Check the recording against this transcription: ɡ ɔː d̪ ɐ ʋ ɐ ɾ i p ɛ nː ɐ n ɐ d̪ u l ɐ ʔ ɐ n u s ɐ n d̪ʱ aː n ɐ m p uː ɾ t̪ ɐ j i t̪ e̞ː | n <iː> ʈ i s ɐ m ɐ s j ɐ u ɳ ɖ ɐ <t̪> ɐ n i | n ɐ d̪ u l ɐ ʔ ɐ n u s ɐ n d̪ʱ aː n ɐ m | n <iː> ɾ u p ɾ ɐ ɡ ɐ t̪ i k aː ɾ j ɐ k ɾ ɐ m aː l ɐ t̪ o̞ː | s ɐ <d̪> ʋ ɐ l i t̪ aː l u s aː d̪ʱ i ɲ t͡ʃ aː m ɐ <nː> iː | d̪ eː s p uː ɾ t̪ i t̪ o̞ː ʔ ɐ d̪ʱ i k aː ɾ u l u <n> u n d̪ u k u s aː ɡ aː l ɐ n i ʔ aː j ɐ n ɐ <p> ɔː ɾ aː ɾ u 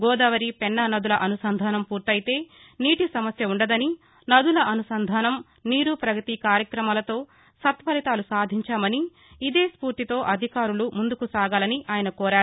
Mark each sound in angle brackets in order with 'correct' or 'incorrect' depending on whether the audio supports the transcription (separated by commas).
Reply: correct, incorrect, correct, incorrect, incorrect, incorrect, incorrect